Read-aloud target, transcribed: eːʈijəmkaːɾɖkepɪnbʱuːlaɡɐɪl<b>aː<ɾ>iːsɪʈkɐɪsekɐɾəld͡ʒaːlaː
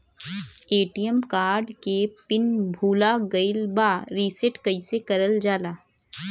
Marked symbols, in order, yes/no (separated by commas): yes, yes